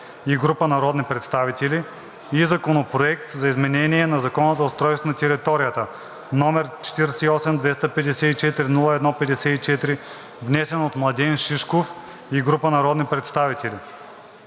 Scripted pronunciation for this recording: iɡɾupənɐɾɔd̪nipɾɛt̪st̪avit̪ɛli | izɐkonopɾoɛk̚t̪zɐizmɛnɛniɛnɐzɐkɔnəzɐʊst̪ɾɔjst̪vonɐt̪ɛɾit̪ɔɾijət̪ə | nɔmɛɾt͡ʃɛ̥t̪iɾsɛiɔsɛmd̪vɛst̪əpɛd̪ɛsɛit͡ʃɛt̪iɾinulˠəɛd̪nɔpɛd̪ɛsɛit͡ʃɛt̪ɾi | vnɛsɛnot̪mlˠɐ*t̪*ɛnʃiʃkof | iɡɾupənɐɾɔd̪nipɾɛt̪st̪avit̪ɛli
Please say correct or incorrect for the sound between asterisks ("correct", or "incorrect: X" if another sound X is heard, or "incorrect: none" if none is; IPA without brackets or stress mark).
incorrect: d̪